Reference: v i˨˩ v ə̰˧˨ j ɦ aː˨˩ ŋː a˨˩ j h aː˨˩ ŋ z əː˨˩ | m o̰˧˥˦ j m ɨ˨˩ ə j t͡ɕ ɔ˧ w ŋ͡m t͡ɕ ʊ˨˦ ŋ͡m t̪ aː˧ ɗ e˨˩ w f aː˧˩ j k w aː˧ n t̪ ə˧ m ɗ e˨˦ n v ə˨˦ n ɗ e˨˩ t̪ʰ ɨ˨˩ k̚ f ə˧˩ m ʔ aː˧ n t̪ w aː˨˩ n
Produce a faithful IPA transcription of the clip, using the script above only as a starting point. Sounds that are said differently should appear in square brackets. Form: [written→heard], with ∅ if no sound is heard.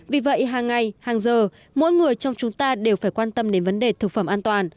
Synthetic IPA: v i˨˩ v ə̰˧˨ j ɦ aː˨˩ ŋː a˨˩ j h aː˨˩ ŋ z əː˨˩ | m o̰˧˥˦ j [m→ŋ] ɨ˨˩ ə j t͡ɕ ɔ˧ w ŋ͡m t͡ɕ ʊ˨˦ ŋ͡m t̪ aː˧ ɗ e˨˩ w f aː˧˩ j k w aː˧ n t̪ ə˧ m ɗ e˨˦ n v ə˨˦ n ɗ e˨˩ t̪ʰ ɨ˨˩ k̚ f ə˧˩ m ʔ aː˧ n t̪ w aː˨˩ n